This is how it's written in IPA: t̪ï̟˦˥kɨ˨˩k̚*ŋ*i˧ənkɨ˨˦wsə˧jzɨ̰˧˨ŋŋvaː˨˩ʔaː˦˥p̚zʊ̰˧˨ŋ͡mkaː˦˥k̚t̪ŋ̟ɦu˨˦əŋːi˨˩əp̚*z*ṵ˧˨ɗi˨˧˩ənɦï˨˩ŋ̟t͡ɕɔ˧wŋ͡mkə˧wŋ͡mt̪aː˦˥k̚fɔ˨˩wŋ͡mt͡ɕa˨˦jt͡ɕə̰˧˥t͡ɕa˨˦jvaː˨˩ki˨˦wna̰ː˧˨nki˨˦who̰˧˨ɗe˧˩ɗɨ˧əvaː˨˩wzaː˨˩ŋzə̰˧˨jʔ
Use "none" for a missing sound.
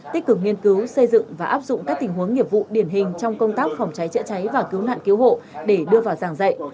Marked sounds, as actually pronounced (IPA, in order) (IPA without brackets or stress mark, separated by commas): ŋ, v